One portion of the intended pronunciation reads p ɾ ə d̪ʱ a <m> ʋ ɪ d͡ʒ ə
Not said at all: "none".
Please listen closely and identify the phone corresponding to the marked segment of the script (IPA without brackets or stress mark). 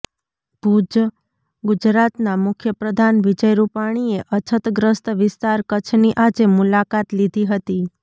n